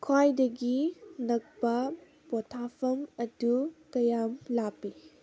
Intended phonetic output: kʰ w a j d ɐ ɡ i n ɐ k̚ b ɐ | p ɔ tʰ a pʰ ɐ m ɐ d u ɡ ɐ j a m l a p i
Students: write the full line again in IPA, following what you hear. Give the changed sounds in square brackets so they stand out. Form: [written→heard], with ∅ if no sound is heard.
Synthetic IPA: kʰ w a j d ɐ ɡ i n ɐ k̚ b ɐ | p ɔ tʰ a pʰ ɐ m ɐ d u [ɡ→k] ɐ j a m l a p i